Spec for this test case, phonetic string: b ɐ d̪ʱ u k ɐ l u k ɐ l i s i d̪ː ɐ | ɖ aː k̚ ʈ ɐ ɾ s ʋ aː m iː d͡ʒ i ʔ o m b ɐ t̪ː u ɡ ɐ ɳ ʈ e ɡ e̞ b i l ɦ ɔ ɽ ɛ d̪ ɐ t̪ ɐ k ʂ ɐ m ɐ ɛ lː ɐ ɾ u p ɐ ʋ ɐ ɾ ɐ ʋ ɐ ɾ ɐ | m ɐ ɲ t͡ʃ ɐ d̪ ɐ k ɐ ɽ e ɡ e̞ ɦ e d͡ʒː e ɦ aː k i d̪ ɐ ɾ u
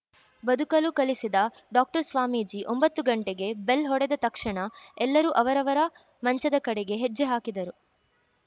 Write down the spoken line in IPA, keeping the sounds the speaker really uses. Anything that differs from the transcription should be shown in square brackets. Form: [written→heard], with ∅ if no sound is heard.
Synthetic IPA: b ɐ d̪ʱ u k ɐ l u k ɐ l i s i [d̪ː→d̪] ɐ | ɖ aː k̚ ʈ ɐ ɾ s ʋ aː m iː d͡ʒ i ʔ o m b ɐ t̪ː u ɡ ɐ ɳ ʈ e ɡ e̞ b [i→e] l ɦ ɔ ɽ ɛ d̪ ɐ t̪ ɐ k ʂ ɐ [m→ɳ] ɐ ɛ lː ɐ ɾ u [p→ʔ] ɐ ʋ ɐ ɾ ɐ ʋ ɐ ɾ ɐ | m ɐ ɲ t͡ʃ ɐ d̪ ɐ k ɐ ɽ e ɡ e̞ ɦ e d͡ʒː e ɦ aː k i d̪ ɐ ɾ u

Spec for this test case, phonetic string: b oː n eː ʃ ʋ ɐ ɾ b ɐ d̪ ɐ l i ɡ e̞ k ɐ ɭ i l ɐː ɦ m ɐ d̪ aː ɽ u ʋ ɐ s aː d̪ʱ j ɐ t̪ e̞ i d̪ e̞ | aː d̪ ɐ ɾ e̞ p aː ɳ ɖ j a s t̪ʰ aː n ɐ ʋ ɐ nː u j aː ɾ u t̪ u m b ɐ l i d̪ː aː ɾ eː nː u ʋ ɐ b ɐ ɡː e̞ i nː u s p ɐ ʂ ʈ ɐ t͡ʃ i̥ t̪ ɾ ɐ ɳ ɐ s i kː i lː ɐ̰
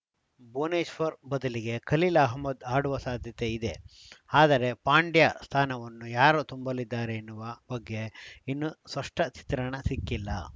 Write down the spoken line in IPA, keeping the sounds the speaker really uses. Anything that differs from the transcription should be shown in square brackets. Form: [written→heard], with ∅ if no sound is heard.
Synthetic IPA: b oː n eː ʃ ʋ ɐ ɾ b ɐ d̪ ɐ l i ɡ e̞ k ɐ [ɭ→l] i l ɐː ɦ m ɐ d̪ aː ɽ u ʋ ɐ s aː d̪ʱ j ɐ t̪ e̞ i d̪ e̞ | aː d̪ ɐ ɾ e̞ p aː ɳ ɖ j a s t̪ʰ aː n ɐ ʋ ɐ nː u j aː ɾ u t̪ u m b ɐ l i d̪ː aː ɾ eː nː u ʋ ɐ b ɐ ɡː e̞ i nː u s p ɐ ʂ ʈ ɐ t͡ʃ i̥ t̪ ɾ ɐ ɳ ɐ s i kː i lː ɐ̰

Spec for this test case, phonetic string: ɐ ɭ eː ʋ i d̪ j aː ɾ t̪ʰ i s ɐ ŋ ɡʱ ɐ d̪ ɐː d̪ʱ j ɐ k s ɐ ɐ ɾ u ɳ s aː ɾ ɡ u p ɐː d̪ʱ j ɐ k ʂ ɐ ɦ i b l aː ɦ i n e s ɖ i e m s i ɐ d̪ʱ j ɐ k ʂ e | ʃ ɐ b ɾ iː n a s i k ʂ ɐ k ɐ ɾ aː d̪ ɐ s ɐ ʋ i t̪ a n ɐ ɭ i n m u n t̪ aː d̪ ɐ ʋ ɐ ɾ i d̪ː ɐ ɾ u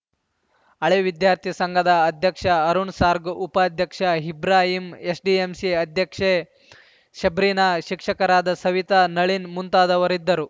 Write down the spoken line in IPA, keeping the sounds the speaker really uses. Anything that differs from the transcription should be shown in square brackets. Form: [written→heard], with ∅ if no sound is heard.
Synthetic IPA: ɐ ɭ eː ʋ i d̪ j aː ɾ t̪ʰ i s ɐ ŋ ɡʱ ɐ d̪ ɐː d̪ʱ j ɐ k [s→ʂ] ɐ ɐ ɾ u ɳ s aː ɾ ɡ u p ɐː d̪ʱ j ɐ k ʂ ɐ ɦ i b [l→ɾ] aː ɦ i [n→m] e s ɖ i e m s i ɐ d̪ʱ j ɐ k ʂ e | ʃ ɐ b ɾ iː n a [s→ʃ] i k ʂ ɐ k ɐ ɾ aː d̪ ɐ s ɐ ʋ i t̪ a n ɐ ɭ i n m u n t̪ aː d̪ ɐ ʋ ɐ ɾ i d̪ː ɐ ɾ u

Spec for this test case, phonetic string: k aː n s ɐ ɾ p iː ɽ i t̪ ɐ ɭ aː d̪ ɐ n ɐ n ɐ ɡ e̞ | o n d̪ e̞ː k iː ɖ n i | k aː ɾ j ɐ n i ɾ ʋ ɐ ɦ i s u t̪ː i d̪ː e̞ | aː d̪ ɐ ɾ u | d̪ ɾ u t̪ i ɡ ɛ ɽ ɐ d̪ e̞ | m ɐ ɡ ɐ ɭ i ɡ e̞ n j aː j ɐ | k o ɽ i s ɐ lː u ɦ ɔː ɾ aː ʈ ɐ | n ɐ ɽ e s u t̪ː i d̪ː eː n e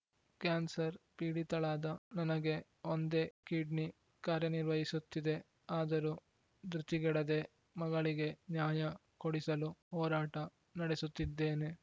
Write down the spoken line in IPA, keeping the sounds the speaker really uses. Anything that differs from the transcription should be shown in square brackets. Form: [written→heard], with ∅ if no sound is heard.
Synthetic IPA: k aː n s ɐ ɾ p iː ɽ i t̪ ɐ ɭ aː d̪ ɐ n ɐ n ɐ ɡ e̞ | o n d̪ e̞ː k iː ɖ n i | k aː ɾ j ɐ n i ɾ ʋ ɐ ɦ i s u t̪ː i [d̪ː→d̪] e̞ | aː d̪ ɐ ɾ u | d̪ ɾ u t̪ i ɡ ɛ ɽ ɐ d̪ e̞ | m ɐ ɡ ɐ ɭ i ɡ e̞ n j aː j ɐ | k o ɽ i s ɐ [lː→l] u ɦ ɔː ɾ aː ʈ ɐ | n ɐ ɽ e s u t̪ː i d̪ː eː n e

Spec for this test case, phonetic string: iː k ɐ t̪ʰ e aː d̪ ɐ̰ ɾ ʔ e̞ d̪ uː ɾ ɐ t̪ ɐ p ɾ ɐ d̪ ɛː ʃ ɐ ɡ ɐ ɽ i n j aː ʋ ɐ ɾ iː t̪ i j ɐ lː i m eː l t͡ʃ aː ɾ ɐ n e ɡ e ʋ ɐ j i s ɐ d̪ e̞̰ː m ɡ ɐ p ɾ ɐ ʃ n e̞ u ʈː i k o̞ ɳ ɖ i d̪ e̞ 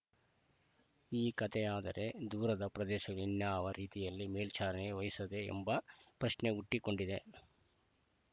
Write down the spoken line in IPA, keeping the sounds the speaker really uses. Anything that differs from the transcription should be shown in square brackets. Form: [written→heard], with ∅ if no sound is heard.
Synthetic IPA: iː k ɐ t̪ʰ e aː d̪ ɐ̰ ɾ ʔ e̞ d̪ uː ɾ ɐ [t̪→d̪] ɐ p ɾ ɐ d̪ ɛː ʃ ɐ ɡ ɐ [ɽ→ɭ] i n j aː ʋ ɐ ɾ iː t̪ i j ɐ lː i m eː l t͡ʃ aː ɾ ɐ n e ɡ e ʋ ɐ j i s ɐ d̪ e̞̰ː m [ɡ→b] ɐ p ɾ ɐ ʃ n e̞ u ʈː i k o̞ ɳ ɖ i d̪ e̞

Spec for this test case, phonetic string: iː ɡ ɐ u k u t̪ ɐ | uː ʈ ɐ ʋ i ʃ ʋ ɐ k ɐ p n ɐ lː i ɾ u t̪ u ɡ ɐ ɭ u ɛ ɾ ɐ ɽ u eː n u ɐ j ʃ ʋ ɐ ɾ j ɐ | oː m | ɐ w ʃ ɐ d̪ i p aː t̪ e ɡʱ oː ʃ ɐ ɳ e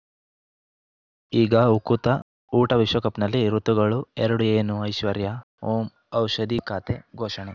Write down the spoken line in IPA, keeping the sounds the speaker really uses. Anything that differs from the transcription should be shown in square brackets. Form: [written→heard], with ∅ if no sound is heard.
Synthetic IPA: iː ɡ ɐ u k u t̪ ɐ | uː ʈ ɐ ʋ i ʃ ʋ ɐ k ɐ p n ɐ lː i ɾ u t̪ u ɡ ɐ ɭ u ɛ ɾ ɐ ɽ u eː n u ɐ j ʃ ʋ ɐ ɾ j ɐ | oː m | ɐ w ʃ ɐ d̪ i [p→k] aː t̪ e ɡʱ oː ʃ ɐ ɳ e

